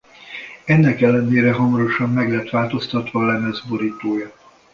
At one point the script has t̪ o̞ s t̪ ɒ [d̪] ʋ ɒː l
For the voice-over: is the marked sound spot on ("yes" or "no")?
no